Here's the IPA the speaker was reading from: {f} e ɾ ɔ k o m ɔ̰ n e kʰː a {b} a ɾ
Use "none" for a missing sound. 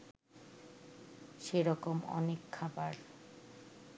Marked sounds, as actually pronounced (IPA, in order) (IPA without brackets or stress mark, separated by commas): ʃ, b